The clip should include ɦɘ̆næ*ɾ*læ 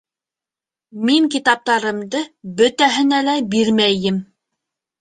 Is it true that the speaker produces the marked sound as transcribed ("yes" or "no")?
no